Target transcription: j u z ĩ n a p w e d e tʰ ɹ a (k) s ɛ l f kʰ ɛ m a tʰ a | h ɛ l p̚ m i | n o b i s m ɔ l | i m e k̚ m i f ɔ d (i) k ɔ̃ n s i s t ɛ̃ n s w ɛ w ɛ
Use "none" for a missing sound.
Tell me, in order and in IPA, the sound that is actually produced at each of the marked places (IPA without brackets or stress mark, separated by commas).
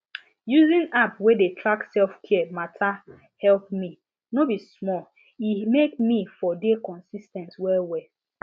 k, e